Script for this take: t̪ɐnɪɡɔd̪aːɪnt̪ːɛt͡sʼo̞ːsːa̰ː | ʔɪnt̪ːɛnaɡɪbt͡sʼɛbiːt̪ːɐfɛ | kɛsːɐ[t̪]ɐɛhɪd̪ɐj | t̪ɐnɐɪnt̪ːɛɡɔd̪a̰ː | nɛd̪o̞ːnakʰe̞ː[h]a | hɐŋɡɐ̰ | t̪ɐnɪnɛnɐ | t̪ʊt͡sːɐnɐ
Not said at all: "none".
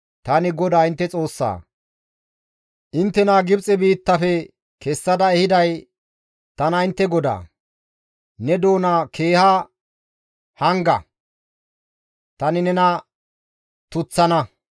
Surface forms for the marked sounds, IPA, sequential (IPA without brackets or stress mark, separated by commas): d̪, h